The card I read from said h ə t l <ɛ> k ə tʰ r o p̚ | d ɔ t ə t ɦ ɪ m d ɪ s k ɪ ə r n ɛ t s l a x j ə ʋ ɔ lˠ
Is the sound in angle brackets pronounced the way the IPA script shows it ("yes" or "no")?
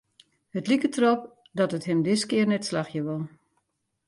no